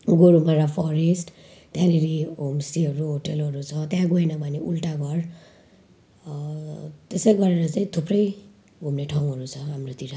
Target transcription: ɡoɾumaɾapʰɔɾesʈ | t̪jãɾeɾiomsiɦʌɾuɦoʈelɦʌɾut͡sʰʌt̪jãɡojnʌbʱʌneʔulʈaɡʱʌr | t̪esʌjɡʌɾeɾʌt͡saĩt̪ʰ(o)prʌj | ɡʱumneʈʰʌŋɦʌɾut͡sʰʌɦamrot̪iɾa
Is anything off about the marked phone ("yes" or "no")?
yes